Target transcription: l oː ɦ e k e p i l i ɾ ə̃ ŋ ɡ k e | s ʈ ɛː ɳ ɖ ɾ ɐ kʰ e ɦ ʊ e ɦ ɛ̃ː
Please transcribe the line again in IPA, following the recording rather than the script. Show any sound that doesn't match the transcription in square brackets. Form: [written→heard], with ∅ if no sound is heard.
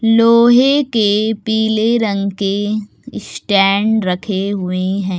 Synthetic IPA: l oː ɦ e k e p [i→iː] l [i→e] ɾ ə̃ ŋ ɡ k e | s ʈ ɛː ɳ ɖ ɾ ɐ kʰ e ɦ ʊ e ɦ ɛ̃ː